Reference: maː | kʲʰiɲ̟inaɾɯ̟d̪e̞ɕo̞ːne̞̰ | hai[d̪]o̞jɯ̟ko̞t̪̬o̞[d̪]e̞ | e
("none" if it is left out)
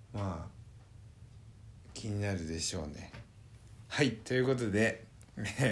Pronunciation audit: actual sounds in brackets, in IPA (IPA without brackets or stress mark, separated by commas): t̪, d̪